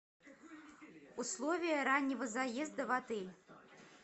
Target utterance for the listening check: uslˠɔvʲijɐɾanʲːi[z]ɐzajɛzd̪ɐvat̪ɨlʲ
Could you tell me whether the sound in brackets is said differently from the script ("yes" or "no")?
yes